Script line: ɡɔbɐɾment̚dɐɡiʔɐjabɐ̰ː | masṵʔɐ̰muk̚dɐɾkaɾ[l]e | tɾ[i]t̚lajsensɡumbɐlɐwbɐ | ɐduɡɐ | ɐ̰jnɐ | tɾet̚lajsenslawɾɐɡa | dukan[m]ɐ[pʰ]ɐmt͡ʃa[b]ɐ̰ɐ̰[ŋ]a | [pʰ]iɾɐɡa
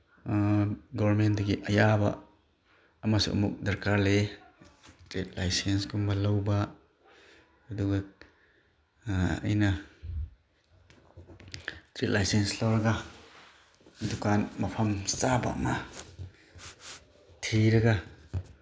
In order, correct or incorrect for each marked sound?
correct, incorrect: e, correct, correct, correct, incorrect: m, incorrect: tʰ

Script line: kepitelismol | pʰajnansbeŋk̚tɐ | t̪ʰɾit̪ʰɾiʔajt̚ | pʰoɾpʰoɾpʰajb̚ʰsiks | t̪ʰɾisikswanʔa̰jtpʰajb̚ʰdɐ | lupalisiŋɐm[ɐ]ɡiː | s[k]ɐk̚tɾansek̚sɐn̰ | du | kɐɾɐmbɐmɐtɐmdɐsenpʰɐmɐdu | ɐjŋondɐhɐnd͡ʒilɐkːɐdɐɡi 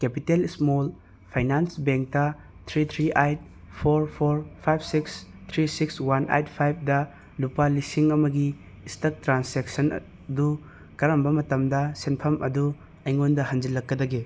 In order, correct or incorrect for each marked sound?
correct, incorrect: t

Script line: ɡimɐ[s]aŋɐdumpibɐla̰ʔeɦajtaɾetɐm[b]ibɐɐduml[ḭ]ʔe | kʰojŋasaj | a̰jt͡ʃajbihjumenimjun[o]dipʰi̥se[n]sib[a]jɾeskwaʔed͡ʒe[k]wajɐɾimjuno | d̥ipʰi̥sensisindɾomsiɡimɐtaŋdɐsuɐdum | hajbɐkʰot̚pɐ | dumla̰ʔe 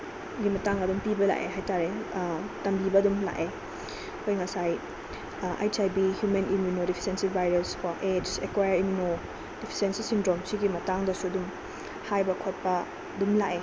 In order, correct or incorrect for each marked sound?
incorrect: t, correct, incorrect: a̰, correct, correct, correct, correct

